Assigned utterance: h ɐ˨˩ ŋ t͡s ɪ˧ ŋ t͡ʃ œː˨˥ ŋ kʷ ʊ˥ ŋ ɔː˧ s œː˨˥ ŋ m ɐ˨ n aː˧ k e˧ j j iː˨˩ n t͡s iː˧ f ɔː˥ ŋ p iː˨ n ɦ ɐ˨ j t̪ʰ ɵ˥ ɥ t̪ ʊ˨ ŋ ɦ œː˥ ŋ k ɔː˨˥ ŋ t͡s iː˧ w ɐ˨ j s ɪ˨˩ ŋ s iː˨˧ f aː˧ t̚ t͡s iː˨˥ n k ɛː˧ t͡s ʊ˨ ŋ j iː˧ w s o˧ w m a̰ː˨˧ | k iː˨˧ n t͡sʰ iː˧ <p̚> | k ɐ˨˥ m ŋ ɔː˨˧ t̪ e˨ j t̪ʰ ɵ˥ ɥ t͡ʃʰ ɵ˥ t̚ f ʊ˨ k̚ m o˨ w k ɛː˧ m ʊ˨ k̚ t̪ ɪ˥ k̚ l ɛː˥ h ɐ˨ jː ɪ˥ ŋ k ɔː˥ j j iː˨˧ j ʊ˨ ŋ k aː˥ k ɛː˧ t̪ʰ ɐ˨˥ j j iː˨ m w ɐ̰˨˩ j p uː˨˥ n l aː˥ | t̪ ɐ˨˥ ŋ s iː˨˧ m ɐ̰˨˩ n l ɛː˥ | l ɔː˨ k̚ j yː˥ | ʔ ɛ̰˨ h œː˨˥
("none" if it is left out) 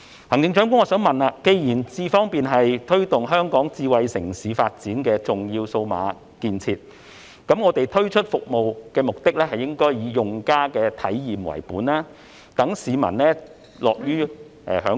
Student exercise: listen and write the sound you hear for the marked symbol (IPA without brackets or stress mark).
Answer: t̚